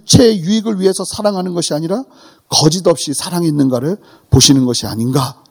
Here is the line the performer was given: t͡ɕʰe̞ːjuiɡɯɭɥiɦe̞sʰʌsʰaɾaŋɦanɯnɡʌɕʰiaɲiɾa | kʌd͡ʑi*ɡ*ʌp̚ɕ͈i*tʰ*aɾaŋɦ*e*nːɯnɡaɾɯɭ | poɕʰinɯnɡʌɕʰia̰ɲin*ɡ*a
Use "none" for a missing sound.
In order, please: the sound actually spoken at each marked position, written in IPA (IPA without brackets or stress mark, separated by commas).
d, sʰ, e, ɡ